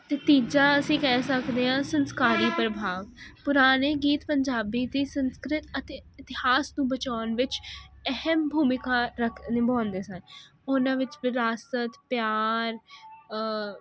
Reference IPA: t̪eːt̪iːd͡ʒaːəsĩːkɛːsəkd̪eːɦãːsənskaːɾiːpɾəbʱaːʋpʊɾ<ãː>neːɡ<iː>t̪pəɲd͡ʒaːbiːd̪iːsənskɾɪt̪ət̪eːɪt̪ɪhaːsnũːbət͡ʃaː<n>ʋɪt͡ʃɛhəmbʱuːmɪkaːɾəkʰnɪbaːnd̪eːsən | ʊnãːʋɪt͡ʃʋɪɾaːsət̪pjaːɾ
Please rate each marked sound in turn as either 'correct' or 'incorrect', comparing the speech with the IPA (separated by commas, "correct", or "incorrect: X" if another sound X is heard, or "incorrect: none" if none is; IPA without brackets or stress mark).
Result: incorrect: aː, correct, correct